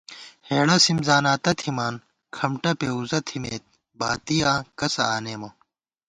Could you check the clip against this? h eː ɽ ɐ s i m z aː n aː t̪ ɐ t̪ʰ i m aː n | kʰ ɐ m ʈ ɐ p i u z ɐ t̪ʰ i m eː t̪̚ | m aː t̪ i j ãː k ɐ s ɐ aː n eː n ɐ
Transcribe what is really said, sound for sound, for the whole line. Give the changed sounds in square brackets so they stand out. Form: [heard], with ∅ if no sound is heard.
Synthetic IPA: h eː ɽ ɐ s i m z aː n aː t̪ ɐ t̪ʰ i m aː n | kʰ ɐ m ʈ ɐ p [e] u z ɐ t̪ʰ i m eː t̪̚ | [b] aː t̪ i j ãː k ɐ s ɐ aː n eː [m] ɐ